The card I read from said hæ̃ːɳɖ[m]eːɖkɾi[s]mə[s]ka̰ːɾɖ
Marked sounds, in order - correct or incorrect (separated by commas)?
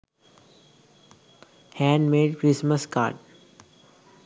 correct, correct, correct